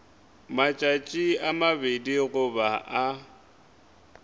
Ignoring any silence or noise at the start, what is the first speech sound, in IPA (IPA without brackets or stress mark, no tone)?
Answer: m